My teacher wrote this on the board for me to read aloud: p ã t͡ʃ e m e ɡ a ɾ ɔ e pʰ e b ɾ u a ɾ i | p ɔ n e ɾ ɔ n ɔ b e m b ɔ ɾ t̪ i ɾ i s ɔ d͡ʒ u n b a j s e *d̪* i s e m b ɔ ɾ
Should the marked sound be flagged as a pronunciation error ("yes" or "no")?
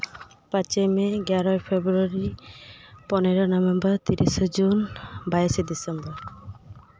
no